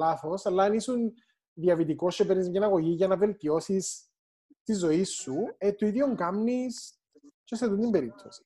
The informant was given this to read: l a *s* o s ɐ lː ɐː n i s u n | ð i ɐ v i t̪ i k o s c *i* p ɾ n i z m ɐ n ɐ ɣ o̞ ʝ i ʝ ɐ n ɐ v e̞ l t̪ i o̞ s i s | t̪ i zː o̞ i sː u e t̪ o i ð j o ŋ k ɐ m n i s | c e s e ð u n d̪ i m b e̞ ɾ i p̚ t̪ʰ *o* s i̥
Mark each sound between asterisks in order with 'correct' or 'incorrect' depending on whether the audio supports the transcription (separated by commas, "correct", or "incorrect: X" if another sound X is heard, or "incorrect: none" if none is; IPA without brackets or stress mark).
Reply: incorrect: θ, incorrect: e, correct